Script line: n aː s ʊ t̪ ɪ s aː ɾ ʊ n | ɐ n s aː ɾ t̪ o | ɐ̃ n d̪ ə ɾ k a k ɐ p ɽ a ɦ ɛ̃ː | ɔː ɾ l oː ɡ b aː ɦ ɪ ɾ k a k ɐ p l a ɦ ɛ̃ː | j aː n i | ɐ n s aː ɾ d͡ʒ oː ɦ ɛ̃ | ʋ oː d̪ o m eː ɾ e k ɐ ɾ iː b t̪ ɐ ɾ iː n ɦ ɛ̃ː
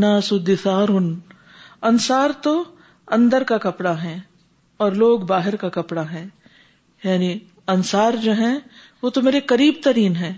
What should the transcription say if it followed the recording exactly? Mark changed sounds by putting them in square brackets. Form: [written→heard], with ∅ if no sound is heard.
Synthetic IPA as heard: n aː s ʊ [t̪→d̪] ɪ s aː ɾ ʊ n | ɐ n s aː ɾ t̪ o | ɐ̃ n d̪ ə ɾ k a k ɐ p ɽ a ɦ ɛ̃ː | ɔː ɾ l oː ɡ b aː ɦ ɪ ɾ k a k ɐ p [l→ɽ] a ɦ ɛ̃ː | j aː n i | ɐ n s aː ɾ d͡ʒ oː ɦ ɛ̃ | ʋ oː [d̪→t̪] o m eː ɾ e k ɐ ɾ iː b t̪ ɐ ɾ iː n ɦ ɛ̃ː